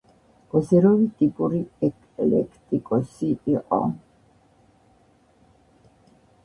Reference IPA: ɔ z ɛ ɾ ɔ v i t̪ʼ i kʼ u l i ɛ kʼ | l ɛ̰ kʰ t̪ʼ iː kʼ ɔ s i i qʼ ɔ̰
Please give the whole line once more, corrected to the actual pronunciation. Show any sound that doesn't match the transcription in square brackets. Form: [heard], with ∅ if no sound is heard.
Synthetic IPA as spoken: ɔ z ɛ ɾ ɔ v i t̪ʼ i [pʼ] u [ɾ] i ɛ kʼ | l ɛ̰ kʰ t̪ʼ [i] kʼ ɔ s i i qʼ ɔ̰